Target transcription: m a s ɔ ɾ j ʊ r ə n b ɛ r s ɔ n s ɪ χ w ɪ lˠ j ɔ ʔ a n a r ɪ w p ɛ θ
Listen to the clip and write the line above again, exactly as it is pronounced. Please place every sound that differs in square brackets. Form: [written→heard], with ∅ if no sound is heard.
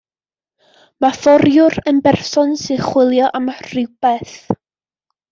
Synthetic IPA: m a [s→f] ɔ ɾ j ʊ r ə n b ɛ r s ɔ n s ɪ χ w ɪ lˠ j ɔ ʔ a [n→m] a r ɪ w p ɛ θ